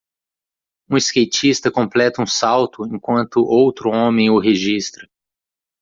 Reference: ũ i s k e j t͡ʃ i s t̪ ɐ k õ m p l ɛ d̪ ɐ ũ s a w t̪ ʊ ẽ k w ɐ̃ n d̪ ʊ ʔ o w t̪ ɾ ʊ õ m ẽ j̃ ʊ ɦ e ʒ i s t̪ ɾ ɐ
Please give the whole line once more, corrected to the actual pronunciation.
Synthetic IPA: ũ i s k e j t͡ʃ i s t̪ ɐ k õ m p l ɛ t̪ ɐ ũ s a w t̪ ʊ ẽ k w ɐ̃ n t̪ ʊ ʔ o w t̪ ɾ ʊ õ m ẽ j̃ ʊ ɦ e ʒ i s t̪ ɾ ɐ